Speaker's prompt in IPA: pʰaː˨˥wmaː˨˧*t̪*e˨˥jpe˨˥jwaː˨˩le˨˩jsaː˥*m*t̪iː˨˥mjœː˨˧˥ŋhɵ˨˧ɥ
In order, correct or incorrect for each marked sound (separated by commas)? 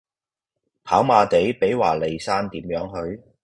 correct, incorrect